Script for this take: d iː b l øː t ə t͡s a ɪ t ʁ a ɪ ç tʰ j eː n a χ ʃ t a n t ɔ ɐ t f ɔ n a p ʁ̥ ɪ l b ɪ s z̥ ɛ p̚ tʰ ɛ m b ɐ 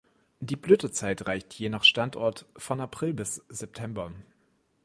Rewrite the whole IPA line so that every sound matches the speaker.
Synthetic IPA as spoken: d iː b l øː t ə t͡s a ɪ t ʁ a ɪ ç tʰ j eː n a χ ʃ t a n t ɔ ɐ t f ɔ n a p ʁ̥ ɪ l b ɪ s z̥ ɛ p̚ tʰ ɛ m b ɐ